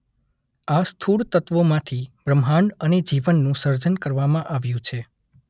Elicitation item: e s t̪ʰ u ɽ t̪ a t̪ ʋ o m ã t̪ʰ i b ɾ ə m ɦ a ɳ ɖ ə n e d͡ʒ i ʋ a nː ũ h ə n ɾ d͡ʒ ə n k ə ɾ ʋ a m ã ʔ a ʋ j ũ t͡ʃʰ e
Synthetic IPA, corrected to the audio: a s t̪ʰ u ɽ t̪ ə t̪ ʋ o m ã t̪ʰ i b ɾ ə m ɦ a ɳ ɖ ə n e d͡ʒ i ʋ ə nː ũ s ə ɾ d͡ʒ ə n k ə ɾ ʋ a m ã ʔ a ʋ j ũ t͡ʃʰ e